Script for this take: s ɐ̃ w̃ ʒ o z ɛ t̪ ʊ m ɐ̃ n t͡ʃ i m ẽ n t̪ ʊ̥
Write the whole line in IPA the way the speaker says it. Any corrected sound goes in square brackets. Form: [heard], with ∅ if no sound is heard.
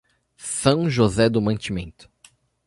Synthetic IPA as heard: s ɐ̃ w̃ ʒ o z ɛ [d̪] ʊ m ɐ̃ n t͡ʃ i m ẽ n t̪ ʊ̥

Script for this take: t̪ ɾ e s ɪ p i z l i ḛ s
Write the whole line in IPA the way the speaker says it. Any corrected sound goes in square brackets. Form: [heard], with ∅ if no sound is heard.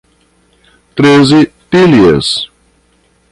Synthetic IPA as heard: t̪ ɾ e [z] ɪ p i [∅] l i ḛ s

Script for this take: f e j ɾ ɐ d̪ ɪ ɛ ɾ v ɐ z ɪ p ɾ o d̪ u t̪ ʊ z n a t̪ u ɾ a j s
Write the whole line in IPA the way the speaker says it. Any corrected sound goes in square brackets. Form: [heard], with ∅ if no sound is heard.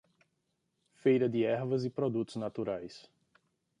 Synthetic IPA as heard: f e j ɾ ɐ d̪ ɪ ɛ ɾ v ɐ z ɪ p ɾ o d̪ u t̪ ʊ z n a t̪ u ɾ a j s

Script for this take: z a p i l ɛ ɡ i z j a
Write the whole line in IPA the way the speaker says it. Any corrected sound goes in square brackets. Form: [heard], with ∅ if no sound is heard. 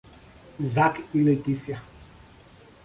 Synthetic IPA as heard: z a [k] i l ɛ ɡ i [s] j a

